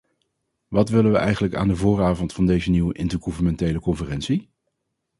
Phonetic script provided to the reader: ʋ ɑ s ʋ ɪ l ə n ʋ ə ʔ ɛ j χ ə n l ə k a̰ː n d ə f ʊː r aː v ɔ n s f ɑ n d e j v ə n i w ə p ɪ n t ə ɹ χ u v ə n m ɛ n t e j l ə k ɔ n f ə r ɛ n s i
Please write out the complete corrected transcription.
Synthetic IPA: ʋ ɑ t ʋ ɪ l ə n ʋ ə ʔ ɛ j χ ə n l ə k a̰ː n d ə v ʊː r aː v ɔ n t f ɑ n d e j z ə n i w ə ʔ ɪ n t ə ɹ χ u v ə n m ɛ n t e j l ə k ɔ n f ə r ɛ n s i